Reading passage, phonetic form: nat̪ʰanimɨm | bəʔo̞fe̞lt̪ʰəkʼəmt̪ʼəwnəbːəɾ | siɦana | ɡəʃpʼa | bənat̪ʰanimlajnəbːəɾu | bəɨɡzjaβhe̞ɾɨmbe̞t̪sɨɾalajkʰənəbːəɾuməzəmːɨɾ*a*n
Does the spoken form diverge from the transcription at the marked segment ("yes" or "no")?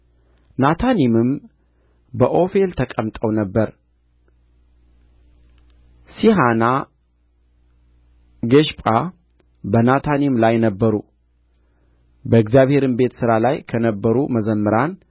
no